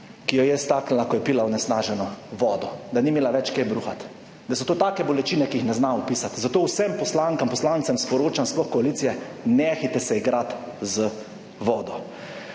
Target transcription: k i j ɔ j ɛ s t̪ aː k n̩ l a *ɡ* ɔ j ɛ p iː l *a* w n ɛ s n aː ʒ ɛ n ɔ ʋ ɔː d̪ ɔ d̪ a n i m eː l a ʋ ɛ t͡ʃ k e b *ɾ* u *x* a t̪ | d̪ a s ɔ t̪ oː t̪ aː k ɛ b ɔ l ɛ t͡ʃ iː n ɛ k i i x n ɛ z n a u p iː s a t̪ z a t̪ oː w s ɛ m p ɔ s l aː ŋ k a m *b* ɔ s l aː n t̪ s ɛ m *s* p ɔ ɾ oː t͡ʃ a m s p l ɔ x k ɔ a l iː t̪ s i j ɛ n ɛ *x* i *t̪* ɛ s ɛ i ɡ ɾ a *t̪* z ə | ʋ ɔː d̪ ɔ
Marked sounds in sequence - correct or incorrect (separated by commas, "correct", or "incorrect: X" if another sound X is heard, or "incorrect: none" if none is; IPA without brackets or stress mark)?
incorrect: k, correct, correct, correct, incorrect: p, correct, correct, correct, correct